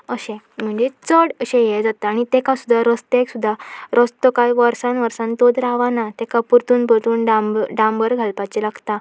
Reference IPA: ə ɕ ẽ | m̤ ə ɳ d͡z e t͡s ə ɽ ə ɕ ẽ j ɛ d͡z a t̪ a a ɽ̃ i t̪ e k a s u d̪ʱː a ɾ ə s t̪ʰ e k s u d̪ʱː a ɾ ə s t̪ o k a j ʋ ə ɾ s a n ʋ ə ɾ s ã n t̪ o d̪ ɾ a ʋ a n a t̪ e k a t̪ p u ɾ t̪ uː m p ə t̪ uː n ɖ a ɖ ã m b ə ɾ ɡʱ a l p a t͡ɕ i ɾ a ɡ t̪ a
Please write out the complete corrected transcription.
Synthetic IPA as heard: ə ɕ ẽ | m̤ ə ɳ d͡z e t͡s ə ɽ ə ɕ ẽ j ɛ d͡z a t̪ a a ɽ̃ i t̪ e k a s u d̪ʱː a ɾ ə s t̪ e k s u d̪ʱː a ɾ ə s t̪ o k a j ʋ ə ɾ s a n ʋ ə ɾ s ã n t̪ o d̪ ɾ a ʋ a n a t̪ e k a p u ɾ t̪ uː n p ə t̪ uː n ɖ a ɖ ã m b ə ɾ ɡʱ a l p a t͡ɕ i l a ɡ t̪ a

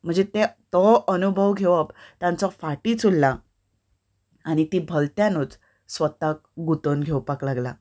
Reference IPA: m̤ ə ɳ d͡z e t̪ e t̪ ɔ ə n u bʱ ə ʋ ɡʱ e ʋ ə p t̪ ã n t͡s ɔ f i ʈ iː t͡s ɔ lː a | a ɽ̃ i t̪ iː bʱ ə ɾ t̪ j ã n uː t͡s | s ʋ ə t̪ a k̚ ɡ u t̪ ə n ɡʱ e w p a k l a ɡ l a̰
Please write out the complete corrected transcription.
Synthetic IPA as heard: m̤ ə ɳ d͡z e t̪ e t̪ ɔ ə n u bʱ ə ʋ ɡʱ e ʋ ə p t̪ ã n t͡s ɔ f a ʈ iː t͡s u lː a | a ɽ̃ i t̪ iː bʱ ə l t̪ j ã n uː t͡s | s ʋ ə t̪ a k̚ ɡ u t̪ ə n ɡʱ e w p a k l a ɡ l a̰

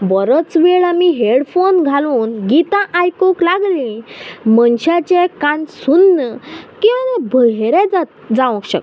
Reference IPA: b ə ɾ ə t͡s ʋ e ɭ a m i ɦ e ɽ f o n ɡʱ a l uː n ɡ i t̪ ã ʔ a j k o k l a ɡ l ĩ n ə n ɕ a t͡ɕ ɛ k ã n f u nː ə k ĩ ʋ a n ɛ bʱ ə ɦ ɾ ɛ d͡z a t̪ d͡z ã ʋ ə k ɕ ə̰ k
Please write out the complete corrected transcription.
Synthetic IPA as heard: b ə ɾ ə t͡s ʋ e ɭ a m i ɦ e ɽ f o n ɡʱ a l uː n ɡ i t̪ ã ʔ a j k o k l a ɡ l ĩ m ə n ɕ a t͡ɕ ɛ k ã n s u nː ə k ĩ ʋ a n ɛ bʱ ə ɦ ɾ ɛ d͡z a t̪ d͡z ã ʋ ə k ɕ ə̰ k

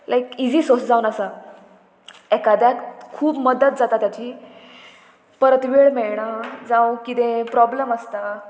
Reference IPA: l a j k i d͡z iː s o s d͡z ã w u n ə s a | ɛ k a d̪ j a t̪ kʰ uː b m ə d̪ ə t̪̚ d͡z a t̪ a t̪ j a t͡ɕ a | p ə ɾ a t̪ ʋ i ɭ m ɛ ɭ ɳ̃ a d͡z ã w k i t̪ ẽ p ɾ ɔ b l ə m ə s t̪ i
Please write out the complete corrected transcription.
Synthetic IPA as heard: l a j k i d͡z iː s o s d͡z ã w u n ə s a | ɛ k a d̪ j a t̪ kʰ uː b m ə d̪ ə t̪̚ d͡z a t̪ a t̪ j a t͡ɕ i | p ə ɾ ə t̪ ʋ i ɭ m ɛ ɭ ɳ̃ a d͡z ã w k i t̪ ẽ p ɾ ɔ b l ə m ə s t̪ a

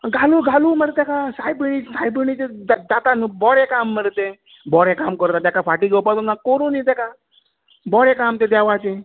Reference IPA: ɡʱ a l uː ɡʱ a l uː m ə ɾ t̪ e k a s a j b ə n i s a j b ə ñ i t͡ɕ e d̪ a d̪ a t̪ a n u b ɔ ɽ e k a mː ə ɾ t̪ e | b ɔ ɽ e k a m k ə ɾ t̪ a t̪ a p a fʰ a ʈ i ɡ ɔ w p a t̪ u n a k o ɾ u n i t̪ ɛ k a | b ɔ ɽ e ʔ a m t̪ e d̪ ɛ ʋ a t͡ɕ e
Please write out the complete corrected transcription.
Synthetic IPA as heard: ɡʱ a l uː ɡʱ a l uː m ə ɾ t̪ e k a s a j b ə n i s a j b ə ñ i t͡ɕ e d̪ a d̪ a t̪ a n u b ɔ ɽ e k a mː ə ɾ t̪ e | b ɔ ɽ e k a m k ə ɾ t̪ a t̪ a k a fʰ a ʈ i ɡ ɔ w p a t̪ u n a k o ɾ u n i t̪ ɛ k a | b ɔ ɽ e k a m t̪ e d̪ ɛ ʋ a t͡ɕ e

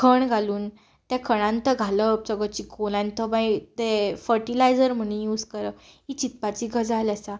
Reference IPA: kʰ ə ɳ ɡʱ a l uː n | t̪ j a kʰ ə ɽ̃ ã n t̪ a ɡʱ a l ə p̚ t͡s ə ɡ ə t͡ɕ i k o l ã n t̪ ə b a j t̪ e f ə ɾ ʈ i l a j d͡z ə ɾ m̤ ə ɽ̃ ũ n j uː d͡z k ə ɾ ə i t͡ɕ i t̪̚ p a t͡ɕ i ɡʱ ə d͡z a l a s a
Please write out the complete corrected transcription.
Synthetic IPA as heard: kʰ ə ɳ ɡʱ a l uː n | t̪ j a kʰ ə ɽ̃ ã n t̪ ə ɡʱ a l ə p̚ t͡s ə ɡ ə t͡ɕ i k o l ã n t̪ ə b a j t̪ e f ə ɾ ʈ i l a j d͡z ə ɾ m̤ ə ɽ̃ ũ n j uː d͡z k ə ɾ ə i t͡ɕ i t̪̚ p a t͡ɕ i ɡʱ ə d͡z a l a s a

